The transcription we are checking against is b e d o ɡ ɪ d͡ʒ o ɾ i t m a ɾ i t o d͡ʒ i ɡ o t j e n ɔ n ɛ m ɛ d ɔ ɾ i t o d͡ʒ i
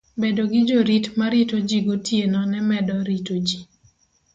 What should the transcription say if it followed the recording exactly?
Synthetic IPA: b e d o ɡ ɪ d͡ʒ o ɾ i t m a ɾ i t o d͡ʒ i ɡ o t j e n ɔ n ɛ m ɛ d ɔ ɾ i t o d͡ʒ i